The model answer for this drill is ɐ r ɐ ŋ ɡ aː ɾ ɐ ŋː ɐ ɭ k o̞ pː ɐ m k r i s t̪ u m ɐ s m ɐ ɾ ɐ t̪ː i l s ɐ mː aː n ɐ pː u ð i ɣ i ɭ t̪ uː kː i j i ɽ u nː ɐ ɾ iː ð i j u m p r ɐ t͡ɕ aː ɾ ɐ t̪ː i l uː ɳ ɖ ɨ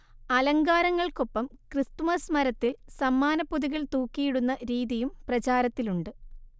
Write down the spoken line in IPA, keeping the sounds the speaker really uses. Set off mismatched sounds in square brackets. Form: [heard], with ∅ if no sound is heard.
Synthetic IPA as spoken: ɐ [l] ɐ ŋ ɡ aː ɾ ɐ ŋː ɐ ɭ k o̞ pː ɐ m k r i s t̪ u m ɐ s m ɐ ɾ ɐ t̪ː i l s ɐ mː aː n ɐ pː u ð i ɣ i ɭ t̪ uː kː i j i ɽ u nː ɐ ɾ iː ð i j u m p r ɐ t͡ɕ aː ɾ ɐ t̪ː i l [u] ɳ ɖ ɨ